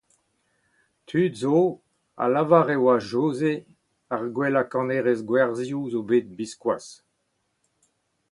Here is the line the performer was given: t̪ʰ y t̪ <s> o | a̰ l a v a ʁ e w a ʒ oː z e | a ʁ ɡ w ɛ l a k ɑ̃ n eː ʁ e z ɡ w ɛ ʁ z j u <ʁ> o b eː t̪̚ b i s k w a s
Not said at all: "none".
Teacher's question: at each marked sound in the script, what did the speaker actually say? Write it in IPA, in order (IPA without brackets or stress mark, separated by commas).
z, z